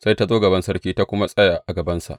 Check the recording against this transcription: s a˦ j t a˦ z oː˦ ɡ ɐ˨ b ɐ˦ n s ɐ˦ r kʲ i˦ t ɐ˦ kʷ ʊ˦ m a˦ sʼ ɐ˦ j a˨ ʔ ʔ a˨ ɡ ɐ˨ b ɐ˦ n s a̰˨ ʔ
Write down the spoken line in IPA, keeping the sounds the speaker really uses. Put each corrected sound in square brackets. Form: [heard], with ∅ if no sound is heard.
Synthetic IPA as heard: s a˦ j t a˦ z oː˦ ɡ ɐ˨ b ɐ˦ n s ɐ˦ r kʲ [iː˦] t [a˦] kʷ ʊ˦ m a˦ sʼ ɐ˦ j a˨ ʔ ʔ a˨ ɡ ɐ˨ b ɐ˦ n s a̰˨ ʔ